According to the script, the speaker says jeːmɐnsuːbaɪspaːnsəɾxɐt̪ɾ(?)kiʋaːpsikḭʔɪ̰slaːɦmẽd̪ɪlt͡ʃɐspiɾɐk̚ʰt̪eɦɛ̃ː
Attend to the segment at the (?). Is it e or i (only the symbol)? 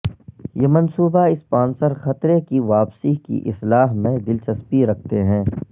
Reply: e